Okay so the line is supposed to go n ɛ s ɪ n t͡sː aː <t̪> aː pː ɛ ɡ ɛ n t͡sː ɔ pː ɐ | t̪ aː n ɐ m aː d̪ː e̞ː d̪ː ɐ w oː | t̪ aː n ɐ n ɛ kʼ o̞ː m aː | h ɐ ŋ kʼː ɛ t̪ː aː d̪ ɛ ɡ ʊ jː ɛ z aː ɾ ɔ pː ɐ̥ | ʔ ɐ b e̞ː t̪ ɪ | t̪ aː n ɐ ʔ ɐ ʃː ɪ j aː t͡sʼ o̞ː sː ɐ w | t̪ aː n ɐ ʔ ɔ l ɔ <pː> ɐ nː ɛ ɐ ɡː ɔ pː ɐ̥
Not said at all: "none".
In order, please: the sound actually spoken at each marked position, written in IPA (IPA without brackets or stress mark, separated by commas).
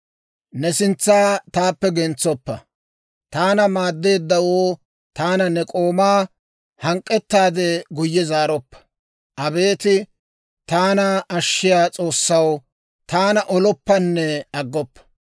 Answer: t̪, pː